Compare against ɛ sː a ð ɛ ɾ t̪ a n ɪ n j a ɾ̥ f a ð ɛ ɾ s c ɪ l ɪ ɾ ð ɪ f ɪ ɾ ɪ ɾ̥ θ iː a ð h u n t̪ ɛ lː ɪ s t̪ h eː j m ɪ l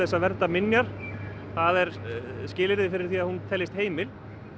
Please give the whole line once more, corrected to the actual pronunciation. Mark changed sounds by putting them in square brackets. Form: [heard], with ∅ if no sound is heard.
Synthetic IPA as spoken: ɛ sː a [v] ɛ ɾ t̪ a [m] ɪ n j a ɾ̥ [θ] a ð ɛ ɾ s c [ɪː] l ɪ ɾ ð ɪ f ɪ ɾ ɪ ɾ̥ θ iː a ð h u n [t̪ʰ] ɛ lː ɪ s t̪ h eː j m ɪ l